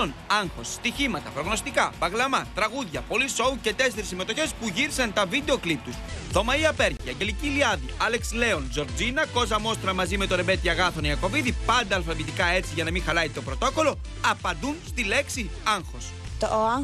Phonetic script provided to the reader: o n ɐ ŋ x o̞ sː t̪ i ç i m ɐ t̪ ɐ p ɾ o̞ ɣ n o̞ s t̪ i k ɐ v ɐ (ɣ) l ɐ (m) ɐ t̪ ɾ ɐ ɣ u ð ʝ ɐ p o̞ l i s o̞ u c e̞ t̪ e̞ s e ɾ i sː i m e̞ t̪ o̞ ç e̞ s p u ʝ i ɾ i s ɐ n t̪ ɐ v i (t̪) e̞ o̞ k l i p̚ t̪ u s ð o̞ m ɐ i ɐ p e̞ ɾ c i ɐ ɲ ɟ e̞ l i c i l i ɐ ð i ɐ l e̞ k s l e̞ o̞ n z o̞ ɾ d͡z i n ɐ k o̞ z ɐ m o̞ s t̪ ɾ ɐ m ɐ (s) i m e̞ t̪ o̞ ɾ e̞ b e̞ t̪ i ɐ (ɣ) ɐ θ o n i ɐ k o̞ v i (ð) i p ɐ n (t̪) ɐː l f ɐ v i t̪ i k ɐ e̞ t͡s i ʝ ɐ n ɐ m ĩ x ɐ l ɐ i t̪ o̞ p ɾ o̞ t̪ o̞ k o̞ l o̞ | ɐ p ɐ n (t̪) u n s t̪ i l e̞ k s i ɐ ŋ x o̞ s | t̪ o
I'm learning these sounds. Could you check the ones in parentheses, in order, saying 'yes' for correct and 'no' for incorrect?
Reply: yes, yes, no, no, yes, yes, no, no

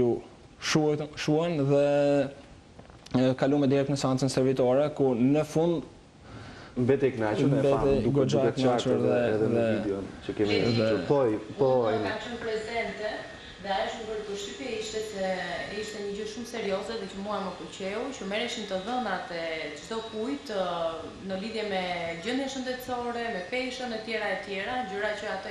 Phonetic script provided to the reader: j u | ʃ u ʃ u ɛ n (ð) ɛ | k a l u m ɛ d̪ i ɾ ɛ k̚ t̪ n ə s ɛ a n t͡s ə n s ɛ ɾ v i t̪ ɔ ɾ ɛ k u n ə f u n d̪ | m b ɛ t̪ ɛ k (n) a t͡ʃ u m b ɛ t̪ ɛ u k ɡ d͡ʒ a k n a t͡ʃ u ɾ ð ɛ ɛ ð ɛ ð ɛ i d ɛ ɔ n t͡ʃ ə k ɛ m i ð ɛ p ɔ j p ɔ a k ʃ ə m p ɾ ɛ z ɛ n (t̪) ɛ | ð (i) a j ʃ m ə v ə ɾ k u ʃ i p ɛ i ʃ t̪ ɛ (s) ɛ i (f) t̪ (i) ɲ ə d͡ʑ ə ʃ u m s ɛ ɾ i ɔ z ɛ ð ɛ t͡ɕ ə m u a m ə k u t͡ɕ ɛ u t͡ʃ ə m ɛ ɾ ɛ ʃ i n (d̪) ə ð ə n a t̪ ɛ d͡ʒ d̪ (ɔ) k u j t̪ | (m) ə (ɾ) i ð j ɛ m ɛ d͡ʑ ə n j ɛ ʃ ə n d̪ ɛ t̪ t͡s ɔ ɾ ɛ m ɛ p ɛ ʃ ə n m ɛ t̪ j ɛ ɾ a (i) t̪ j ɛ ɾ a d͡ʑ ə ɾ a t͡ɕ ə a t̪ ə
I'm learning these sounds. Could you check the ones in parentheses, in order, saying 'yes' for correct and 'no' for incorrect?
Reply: yes, yes, yes, no, yes, no, no, no, yes, no, no, no

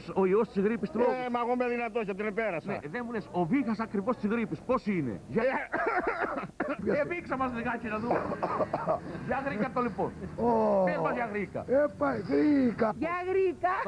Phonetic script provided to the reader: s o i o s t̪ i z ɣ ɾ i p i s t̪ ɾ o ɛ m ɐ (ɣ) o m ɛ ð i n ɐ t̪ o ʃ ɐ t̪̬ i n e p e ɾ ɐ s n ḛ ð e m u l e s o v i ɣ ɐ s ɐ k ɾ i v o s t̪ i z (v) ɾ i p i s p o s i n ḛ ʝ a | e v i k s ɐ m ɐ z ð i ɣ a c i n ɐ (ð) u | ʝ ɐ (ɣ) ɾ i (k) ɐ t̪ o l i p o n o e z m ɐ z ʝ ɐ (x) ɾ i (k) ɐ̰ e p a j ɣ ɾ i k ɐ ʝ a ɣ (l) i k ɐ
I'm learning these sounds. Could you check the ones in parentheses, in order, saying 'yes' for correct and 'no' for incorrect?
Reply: yes, no, yes, yes, yes, no, yes, no

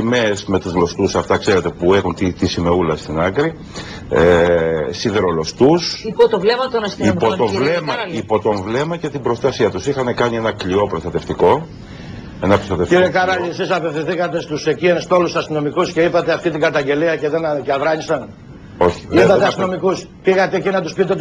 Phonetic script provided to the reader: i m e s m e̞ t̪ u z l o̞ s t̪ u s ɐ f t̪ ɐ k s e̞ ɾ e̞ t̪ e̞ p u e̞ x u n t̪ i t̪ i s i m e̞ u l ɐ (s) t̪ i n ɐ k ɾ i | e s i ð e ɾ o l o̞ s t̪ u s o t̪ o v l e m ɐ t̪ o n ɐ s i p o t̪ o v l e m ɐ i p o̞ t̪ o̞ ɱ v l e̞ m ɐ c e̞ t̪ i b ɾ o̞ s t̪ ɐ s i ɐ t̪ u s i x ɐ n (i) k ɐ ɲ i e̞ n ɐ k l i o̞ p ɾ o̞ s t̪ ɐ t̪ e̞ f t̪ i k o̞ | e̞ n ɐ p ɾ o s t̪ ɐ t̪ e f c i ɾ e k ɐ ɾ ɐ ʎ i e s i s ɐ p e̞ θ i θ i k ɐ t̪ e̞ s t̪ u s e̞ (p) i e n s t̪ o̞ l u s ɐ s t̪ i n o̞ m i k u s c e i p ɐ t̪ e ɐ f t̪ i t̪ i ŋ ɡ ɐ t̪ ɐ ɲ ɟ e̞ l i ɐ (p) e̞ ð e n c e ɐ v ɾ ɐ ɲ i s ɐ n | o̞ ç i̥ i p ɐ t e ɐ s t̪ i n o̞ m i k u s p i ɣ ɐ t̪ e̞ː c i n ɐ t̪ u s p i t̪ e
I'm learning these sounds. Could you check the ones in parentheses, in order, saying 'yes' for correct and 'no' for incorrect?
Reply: yes, no, no, no

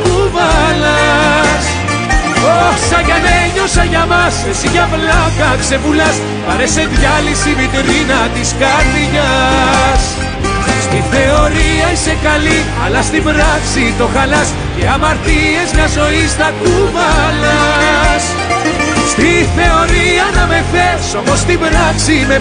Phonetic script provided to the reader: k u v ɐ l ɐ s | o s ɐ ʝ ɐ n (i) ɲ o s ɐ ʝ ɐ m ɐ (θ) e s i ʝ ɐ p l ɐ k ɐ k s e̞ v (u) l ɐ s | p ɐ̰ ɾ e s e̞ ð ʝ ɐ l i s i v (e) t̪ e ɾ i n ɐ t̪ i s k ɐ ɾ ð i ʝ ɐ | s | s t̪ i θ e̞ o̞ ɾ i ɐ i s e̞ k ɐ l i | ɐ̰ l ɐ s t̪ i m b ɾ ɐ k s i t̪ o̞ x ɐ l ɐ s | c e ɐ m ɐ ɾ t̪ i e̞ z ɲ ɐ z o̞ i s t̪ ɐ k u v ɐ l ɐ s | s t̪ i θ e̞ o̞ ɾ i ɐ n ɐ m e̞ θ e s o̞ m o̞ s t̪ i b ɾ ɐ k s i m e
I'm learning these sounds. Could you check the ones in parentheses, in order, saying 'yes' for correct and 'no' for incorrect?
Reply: no, no, yes, no

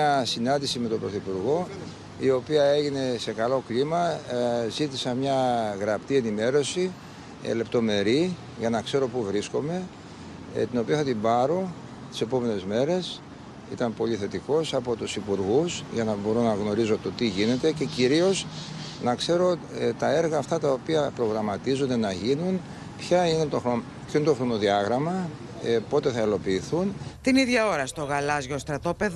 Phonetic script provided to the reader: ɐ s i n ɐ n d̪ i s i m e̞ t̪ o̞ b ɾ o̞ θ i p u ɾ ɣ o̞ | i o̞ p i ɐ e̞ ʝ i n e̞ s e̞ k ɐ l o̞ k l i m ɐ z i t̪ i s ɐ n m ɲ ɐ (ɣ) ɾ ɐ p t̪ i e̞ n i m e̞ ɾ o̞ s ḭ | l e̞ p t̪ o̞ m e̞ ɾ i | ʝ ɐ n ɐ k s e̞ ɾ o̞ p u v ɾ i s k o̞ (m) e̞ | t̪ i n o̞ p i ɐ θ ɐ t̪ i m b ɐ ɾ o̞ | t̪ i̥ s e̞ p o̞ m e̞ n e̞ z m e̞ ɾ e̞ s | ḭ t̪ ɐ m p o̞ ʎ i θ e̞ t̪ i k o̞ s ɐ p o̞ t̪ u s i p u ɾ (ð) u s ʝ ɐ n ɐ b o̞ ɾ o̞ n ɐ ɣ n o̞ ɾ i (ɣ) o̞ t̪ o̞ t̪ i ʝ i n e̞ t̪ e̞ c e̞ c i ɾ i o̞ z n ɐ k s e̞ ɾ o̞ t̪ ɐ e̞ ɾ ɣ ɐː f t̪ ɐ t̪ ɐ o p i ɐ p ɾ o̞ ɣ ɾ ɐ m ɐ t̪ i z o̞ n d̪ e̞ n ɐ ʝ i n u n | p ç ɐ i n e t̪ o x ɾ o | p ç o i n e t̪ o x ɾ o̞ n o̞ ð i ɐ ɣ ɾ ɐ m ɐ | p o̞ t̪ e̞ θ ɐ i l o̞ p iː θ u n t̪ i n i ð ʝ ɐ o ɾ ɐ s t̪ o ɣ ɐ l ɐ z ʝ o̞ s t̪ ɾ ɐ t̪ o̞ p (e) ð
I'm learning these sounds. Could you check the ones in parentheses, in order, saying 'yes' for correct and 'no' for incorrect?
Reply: yes, yes, no, no, yes

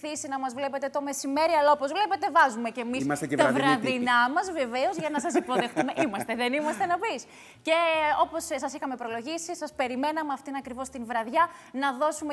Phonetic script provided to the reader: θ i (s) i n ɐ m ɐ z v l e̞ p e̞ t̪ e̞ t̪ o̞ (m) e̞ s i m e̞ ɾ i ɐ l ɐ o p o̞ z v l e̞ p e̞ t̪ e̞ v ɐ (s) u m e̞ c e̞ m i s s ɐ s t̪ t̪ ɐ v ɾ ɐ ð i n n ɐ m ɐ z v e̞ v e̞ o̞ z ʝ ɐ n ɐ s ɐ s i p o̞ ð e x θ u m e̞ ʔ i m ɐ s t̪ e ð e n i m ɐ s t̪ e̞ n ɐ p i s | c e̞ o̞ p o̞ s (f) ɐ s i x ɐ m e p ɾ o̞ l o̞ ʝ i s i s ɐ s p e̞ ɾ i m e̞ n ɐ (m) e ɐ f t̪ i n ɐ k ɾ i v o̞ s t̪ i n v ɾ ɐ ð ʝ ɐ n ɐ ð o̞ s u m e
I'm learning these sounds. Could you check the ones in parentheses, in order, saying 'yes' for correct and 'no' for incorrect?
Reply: yes, yes, no, no, yes

